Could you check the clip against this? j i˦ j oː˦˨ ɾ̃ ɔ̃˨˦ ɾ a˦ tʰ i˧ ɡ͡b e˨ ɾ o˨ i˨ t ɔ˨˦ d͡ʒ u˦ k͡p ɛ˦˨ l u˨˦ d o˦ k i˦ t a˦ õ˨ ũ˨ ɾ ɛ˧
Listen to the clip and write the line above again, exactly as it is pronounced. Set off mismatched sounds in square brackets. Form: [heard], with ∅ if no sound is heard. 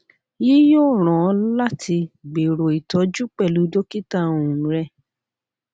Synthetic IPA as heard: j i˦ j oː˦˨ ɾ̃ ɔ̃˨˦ [l] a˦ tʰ i˧ ɡ͡b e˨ ɾ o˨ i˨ t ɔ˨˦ d͡ʒ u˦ k͡p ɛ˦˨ l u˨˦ d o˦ k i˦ t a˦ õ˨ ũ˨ ɾ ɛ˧